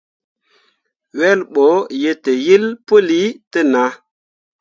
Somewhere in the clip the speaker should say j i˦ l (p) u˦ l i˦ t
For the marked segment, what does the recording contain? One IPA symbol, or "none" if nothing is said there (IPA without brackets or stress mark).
p